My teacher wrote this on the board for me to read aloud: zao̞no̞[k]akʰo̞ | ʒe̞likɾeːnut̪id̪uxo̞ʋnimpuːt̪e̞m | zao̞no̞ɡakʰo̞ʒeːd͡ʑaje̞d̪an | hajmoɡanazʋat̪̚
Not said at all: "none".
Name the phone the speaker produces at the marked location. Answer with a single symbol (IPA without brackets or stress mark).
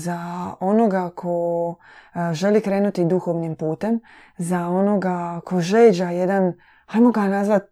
ɡ